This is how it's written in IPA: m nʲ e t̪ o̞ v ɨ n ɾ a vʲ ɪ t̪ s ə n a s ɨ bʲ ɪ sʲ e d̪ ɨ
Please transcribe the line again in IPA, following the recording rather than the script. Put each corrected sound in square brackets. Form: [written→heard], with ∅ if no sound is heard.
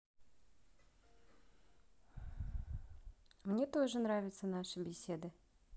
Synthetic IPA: m nʲ e t̪ o̞ [v→ʐ] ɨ n ɾ a vʲ ɪ t̪ s ə n a [s→ʂ] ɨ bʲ ɪ sʲ e d̪ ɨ

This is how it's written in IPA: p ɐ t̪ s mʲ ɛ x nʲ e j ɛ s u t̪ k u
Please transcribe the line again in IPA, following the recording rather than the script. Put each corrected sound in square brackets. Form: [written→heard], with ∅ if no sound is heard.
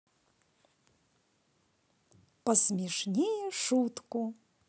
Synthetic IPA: p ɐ [t̪→∅] s mʲ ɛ [x→ʂ] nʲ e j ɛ [s→ʂ] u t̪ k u

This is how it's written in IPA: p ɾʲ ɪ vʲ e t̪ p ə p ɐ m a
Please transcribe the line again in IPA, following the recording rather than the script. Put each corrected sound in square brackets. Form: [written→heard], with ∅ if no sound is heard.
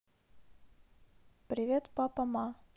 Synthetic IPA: p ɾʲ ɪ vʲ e t̪ p [ə→a] p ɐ m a

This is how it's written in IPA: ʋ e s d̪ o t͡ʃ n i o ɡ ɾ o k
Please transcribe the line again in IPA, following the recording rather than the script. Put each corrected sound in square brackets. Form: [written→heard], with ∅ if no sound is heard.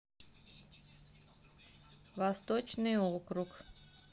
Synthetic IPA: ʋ [e→a] s [d̪→t̪] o t͡ʃ n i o [ɡ→k] ɾ [o→u] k

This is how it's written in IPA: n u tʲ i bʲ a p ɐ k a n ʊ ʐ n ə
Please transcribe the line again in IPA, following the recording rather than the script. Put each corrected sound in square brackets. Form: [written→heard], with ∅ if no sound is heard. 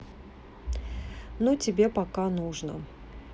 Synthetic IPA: n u tʲ [i→ɪ] bʲ [a→e] p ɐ k a n [ʊ→u] ʐ n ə

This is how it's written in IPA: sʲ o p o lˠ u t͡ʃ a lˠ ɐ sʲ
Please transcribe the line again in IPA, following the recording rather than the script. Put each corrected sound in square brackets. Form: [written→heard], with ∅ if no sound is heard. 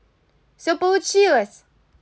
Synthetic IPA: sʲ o p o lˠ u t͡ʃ [a→i] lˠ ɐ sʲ

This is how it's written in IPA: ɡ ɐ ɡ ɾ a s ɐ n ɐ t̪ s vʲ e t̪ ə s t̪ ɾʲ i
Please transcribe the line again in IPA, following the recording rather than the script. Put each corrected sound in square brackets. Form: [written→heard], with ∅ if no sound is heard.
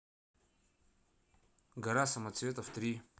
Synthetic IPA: ɡ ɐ [ɡ→∅] ɾ a s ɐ [n→m] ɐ t̪ s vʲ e t̪ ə [s→f] t̪ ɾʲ i

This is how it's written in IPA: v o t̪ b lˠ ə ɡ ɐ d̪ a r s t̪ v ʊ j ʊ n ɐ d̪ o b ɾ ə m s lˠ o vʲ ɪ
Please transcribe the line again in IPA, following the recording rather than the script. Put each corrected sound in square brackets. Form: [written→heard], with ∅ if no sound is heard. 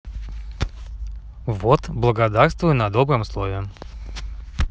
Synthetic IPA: v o t̪ b lˠ ə ɡ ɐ d̪ a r s t̪ v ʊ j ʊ n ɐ d̪ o b ɾ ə m s lˠ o vʲ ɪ

